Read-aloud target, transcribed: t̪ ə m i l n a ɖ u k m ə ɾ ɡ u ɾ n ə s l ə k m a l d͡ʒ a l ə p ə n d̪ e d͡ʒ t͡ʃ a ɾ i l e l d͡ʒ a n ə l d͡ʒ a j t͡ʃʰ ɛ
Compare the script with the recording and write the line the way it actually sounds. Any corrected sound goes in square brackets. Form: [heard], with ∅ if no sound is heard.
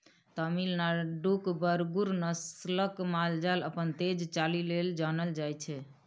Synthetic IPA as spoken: t̪ ə m i l n a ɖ u k [b] ə ɾ ɡ u ɾ n ə s l ə k m a l d͡ʒ a l ə p ə n [t̪] e d͡ʒ t͡ʃ a [l] i l e l d͡ʒ a n ə l d͡ʒ a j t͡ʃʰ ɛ